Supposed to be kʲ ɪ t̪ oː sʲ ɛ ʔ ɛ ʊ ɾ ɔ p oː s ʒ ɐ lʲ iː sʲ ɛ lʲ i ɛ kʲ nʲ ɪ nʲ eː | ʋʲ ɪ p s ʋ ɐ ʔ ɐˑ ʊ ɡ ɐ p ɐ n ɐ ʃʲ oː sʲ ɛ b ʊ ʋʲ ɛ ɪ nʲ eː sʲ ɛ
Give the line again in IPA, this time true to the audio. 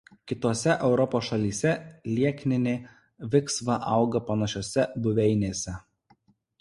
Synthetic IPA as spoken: kʲ ɪ t̪ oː sʲ ɛ ʔ ɛ ʊ ɾ ɔ p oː s ʃ ɐ lʲ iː sʲ ɛ lʲ i ɛ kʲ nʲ ɪ nʲ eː | ʋʲ ɪ k s ʋ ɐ ʔ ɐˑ ʊ ɡ ɐ p ɐ n ɐ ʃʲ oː sʲ ɛ b ʊ ʋʲ ɛ ɪ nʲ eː sʲ ɛ